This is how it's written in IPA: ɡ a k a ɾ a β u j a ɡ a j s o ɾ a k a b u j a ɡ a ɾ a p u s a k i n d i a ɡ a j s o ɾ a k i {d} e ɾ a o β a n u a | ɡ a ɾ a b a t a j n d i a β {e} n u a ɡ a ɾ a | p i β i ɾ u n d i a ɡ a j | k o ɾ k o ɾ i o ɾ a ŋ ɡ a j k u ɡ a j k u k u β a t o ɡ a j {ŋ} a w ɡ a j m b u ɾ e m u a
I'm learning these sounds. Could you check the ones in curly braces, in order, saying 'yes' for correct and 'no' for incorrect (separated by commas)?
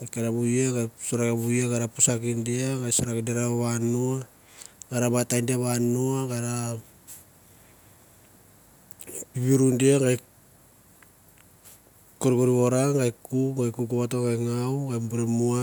yes, no, yes